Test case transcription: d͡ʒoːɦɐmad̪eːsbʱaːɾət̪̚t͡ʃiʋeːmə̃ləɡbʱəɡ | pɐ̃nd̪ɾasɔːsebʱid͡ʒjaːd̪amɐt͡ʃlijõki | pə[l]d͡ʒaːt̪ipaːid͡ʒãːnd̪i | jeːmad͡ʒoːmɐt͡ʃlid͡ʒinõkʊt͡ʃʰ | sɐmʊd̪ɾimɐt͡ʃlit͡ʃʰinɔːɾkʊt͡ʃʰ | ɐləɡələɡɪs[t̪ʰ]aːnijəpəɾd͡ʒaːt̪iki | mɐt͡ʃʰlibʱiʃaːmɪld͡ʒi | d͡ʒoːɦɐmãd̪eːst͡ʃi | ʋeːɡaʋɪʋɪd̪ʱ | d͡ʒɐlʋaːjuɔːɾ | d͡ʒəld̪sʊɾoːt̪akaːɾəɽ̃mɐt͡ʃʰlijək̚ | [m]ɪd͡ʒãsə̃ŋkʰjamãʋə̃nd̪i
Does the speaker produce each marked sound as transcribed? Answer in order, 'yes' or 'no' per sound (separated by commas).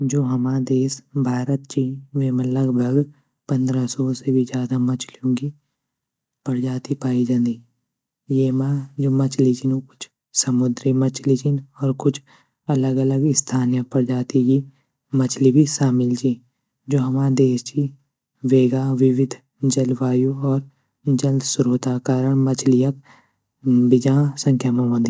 no, yes, no